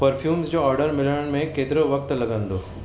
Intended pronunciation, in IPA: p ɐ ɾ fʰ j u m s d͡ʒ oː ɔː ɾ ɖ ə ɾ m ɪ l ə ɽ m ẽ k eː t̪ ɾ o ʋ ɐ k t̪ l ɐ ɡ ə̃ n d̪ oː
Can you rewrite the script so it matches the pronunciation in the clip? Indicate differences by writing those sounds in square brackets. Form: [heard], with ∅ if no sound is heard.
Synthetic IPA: p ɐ ɾ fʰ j [uː] m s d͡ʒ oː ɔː ɾ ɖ ə ɾ m ɪ l ə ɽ m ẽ k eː t̪ ɾ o ʋ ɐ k t̪ l ɐ ɡ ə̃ n d̪ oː